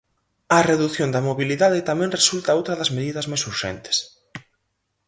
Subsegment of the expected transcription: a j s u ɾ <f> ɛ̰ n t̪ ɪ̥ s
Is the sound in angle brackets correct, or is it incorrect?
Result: incorrect